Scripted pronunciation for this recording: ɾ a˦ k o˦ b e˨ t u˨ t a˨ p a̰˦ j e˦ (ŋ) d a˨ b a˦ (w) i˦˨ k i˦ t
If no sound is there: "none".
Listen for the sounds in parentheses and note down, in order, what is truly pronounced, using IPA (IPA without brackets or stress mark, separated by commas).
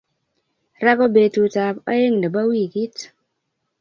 ŋ, w